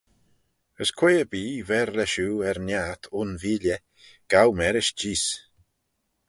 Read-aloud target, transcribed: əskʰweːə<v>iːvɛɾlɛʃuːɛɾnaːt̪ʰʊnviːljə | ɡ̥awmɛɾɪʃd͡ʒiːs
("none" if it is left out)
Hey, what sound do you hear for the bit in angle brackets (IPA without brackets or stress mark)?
b